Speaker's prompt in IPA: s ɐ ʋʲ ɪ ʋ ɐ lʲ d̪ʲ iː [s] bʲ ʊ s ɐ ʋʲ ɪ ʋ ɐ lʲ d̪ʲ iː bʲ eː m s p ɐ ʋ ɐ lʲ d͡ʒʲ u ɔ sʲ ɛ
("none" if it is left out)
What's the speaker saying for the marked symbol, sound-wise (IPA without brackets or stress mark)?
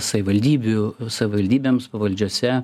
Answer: none